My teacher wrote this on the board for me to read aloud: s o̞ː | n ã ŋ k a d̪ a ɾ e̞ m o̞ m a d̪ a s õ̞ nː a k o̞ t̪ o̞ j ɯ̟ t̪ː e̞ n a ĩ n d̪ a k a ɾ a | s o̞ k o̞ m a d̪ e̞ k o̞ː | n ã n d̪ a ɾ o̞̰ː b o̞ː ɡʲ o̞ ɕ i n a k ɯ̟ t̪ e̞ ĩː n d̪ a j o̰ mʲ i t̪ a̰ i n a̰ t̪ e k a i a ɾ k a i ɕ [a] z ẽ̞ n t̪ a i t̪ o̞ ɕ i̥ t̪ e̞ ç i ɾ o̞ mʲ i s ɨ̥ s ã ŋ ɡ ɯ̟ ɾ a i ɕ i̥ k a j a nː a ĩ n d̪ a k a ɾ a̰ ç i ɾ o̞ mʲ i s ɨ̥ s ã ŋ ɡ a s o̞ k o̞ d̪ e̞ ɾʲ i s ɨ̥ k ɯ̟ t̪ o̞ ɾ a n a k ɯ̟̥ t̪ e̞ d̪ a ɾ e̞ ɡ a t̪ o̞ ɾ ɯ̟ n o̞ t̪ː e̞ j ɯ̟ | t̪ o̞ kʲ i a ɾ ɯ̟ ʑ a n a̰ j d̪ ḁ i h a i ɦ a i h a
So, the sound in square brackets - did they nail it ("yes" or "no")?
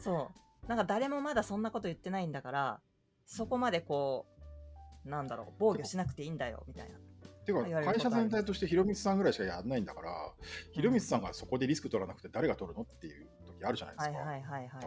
yes